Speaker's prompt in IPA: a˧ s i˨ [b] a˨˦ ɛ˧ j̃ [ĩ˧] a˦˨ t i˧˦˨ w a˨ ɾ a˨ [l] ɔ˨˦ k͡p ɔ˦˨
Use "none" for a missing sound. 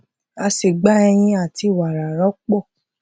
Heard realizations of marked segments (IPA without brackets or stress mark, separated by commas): ɡ͡b, ĩ˧, ɾ